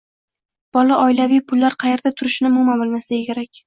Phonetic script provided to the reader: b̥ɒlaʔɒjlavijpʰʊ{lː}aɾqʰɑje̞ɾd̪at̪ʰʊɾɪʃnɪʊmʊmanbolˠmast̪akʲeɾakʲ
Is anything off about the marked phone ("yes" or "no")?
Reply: no